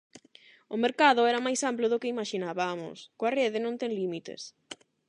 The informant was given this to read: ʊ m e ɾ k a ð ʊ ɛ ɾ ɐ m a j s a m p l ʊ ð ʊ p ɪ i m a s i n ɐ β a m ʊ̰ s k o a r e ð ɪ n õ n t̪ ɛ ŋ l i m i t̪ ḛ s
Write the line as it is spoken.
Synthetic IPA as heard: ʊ m e ɾ k a ð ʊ ɛ ɾ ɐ m a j s a m p l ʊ ð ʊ k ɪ i m a ʃ i n a β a m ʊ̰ s k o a r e ð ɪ n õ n t̪ ɛ ŋ l i m i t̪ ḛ s